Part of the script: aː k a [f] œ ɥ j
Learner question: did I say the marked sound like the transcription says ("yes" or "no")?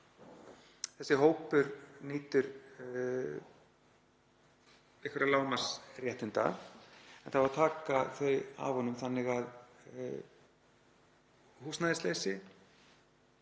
no